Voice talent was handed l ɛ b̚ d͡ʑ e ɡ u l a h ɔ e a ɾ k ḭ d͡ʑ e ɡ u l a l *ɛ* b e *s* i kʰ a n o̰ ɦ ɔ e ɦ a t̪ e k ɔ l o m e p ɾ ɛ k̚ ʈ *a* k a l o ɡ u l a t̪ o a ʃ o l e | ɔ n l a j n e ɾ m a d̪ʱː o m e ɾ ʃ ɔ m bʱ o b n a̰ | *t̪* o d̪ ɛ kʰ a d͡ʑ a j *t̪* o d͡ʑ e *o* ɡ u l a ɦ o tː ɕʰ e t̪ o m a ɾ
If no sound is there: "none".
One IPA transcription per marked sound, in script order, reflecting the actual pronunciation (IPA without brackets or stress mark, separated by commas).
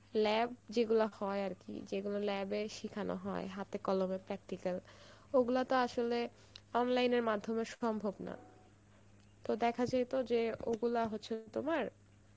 ɛ, ʃ, i, t̪, t̪, o